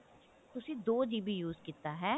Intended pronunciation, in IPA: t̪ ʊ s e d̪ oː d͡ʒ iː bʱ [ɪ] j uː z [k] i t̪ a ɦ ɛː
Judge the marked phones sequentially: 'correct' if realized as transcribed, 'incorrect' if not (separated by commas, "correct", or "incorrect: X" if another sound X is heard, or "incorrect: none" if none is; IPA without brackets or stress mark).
incorrect: i, correct